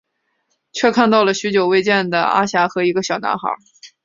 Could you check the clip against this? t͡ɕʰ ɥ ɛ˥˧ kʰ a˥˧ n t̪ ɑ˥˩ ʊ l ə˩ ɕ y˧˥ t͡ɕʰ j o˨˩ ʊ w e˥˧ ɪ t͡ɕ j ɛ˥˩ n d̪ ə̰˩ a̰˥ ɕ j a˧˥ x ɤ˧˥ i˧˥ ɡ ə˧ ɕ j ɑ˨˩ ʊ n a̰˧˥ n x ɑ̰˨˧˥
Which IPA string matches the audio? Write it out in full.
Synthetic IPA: t͡ɕʰ ɥ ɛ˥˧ kʰ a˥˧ n t̪ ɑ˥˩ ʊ l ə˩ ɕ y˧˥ t͡ɕ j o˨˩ ʊ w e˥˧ ɪ t͡ɕ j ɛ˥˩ n d̪ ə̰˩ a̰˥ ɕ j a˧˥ x ɤ˧˥ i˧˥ ɡ ə˧ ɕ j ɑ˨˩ ʊ n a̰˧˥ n x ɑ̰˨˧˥

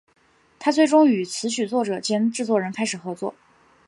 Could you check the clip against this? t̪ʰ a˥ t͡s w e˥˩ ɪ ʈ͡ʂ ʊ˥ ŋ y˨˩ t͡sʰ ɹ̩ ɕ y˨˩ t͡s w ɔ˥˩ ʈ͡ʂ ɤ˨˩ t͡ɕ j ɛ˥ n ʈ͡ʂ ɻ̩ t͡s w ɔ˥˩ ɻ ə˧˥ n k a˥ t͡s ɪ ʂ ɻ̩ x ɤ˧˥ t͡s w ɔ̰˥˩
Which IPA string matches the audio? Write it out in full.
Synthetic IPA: t̪ʰ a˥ t͡s w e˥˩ ɪ ʈ͡ʂ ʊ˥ ŋ y˨˩ t͡sʰ ɹ̩ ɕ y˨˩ t͡s w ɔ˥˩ ʈ͡ʂ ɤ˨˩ t͡ɕ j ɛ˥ n ʈ͡ʂ ɻ̩ t͡s w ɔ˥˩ ɻ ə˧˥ n kʰ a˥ ɪ ʂ ɻ̩ x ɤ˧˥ t͡s w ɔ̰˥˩

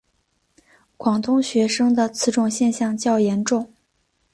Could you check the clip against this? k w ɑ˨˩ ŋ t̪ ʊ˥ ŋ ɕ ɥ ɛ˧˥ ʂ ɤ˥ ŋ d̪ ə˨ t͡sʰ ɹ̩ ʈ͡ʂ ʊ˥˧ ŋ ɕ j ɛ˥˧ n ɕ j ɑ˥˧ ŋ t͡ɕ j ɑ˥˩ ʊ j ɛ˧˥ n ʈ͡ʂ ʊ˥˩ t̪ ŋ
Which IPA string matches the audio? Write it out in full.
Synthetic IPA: k w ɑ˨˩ ŋ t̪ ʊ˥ ŋ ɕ ɥ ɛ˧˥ ʂ ɤ˥ ŋ d̪ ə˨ t͡sʰ ɹ̩ ʈ͡ʂ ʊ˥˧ ŋ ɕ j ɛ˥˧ n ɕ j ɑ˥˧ ŋ t͡ɕ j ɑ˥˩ ʊ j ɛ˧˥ n ʈ͡ʂ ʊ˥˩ ŋ

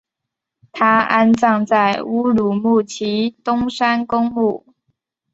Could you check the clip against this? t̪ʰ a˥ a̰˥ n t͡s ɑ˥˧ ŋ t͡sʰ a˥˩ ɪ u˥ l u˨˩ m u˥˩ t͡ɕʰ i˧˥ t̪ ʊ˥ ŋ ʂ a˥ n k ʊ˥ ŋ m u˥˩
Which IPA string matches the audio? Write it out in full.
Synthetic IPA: t̪ʰ a˥ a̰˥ n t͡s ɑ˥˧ ŋ t͡s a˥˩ ɪ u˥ l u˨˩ m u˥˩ t͡ɕʰ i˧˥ t̪ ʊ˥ ŋ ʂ a˥ n k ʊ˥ ŋ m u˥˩

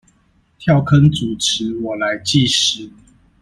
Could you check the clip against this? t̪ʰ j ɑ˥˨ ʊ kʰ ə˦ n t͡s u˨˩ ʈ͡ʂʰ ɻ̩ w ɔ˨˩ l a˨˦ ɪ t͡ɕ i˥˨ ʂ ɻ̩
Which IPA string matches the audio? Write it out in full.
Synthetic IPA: t̪ʰ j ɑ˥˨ ʊ kʰ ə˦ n t͡s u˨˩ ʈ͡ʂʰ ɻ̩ w ɔ˨˩ l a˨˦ ɪ t͡ɕ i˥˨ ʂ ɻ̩

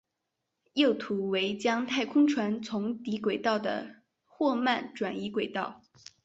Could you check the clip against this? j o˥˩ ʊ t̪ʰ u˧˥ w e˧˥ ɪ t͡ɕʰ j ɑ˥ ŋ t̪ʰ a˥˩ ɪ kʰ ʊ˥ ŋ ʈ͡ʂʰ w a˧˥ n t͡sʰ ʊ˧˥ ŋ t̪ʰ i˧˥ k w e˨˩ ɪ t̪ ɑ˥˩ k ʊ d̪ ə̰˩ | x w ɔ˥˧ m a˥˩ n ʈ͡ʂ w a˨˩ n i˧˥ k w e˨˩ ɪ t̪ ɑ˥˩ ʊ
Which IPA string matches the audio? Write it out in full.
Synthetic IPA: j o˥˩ ʊ t̪ʰ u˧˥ w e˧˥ ɪ t͡ɕ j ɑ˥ ŋ t̪ʰ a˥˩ ɪ kʰ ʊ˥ ŋ ʈ͡ʂʰ w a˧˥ n t͡sʰ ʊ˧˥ ŋ t̪ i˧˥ k w e˨˩ ɪ t̪ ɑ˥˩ ʊ d̪ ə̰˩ | x w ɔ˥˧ m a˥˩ n ʈ͡ʂ w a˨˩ n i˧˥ k w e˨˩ ɪ t̪ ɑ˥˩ ʊ

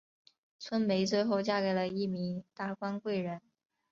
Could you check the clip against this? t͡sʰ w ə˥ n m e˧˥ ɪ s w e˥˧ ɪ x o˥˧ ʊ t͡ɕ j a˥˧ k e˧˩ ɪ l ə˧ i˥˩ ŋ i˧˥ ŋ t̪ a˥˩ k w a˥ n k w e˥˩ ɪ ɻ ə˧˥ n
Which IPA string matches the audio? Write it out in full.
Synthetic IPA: t͡sʰ w ə˥ n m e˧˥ ɪ t͡s w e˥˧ ɪ x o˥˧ ʊ t͡ɕ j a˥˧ k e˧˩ ɪ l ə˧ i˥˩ m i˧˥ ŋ t̪ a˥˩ k w a˥ n k w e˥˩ ɪ ɻ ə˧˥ n

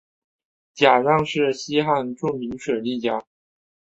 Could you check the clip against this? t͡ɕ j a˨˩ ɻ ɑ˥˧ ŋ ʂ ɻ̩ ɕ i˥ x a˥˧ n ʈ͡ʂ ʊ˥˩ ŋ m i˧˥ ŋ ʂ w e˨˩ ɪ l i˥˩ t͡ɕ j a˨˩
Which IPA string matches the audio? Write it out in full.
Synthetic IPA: t͡ɕ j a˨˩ ɻ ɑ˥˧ ŋ ʂ ɻ̩ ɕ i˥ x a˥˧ n ʈ͡ʂ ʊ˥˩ ŋ m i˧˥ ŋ ʂ w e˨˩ ɪ l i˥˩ t͡ɕ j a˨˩

